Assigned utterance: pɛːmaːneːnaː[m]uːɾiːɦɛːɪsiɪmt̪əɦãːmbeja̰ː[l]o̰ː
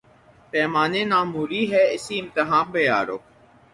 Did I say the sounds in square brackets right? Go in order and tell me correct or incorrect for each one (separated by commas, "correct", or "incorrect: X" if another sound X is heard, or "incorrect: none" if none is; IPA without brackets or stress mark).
correct, incorrect: ɾ